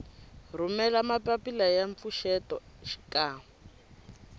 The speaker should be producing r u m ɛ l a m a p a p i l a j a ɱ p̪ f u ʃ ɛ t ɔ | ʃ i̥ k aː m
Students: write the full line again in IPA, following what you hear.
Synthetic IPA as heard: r u m ɛ l a m a p a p i l a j a ɱ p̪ f u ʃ ɛ t ɔ | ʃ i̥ k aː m